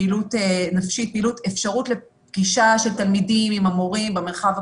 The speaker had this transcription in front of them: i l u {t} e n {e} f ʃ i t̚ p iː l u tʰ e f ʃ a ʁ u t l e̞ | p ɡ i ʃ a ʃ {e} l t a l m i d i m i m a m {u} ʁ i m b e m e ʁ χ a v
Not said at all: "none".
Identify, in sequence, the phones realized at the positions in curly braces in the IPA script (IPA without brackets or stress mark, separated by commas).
t, a, e, o